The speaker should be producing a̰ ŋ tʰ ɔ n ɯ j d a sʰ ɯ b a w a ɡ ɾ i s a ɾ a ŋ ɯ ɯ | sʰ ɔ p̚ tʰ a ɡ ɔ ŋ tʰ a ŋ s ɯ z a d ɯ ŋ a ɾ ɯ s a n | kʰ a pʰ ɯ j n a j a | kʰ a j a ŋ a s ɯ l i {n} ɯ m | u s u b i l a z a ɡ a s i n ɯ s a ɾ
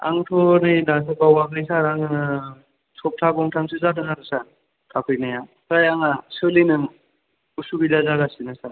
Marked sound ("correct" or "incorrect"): correct